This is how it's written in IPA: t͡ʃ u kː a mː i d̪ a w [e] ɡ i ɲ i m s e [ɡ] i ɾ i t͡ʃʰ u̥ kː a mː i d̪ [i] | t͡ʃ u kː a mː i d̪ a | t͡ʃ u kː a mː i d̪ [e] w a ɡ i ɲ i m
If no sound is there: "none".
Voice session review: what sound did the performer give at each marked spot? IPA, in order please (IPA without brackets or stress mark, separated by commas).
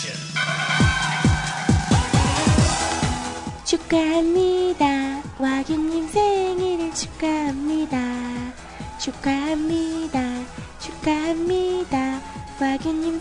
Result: a, ŋ, a, a